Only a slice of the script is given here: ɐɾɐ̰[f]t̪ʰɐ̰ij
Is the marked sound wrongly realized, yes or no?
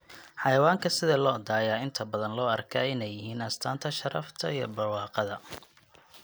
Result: no